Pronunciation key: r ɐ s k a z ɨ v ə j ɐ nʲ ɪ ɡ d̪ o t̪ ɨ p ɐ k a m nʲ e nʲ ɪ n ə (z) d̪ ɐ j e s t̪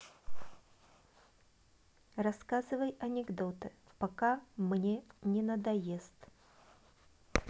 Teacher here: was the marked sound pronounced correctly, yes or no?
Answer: no